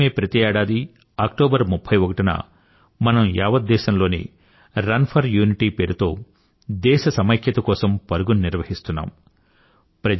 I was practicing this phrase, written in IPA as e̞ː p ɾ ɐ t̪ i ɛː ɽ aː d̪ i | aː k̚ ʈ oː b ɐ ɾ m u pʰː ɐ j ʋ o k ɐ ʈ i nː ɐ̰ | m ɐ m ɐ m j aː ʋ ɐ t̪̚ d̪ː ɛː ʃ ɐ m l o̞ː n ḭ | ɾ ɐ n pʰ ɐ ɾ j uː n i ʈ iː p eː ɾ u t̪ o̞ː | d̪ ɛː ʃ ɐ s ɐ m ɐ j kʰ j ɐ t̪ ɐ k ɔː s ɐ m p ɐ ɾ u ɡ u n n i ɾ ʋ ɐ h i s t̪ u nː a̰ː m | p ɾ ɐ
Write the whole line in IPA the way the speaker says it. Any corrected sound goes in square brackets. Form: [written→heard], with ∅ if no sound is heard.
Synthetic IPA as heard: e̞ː p ɾ ɐ t̪ i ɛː ɽ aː d̪ i | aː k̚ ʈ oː b ɐ ɾ m u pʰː ɐ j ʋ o k ɐ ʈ i [nː→n] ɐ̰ | m ɐ [m→n] ɐ m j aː ʋ ɐ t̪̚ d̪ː ɛː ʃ ɐ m l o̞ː n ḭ | ɾ ɐ n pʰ ɐ ɾ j uː n i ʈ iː p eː ɾ u t̪ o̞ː | d̪ ɛː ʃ ɐ s ɐ m ɐ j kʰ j ɐ t̪ ɐ k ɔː s ɐ m p ɐ ɾ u ɡ u n n i ɾ ʋ ɐ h i s t̪ u nː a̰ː m | p ɾ ɐ